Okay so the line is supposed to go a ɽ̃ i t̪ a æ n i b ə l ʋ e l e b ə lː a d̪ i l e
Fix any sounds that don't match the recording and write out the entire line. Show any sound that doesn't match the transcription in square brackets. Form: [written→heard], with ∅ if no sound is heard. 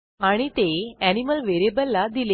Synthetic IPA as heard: a ɽ̃ i t̪ [a→e] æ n i [b→m] ə l ʋ e [l→ɾ] e b ə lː a d̪ i l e